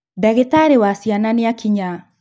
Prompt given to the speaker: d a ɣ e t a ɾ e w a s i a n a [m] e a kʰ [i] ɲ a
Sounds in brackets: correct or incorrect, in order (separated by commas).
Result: incorrect, correct